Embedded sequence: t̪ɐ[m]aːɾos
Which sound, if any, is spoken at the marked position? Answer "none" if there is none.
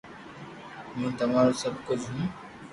m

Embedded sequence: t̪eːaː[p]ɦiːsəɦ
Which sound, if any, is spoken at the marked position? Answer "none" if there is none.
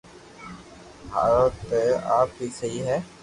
p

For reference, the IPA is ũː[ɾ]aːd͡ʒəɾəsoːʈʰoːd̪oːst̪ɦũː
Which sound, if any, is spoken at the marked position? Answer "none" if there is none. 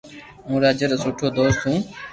ɾ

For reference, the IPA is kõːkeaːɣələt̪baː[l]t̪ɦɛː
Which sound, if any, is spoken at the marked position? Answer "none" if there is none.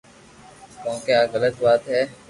none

